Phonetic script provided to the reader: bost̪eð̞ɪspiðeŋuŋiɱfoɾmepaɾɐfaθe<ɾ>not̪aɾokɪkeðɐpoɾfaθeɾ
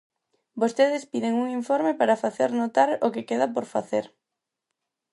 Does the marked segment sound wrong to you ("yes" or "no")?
no